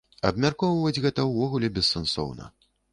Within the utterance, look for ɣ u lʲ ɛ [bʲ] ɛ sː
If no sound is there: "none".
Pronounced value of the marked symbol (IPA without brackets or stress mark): bʲ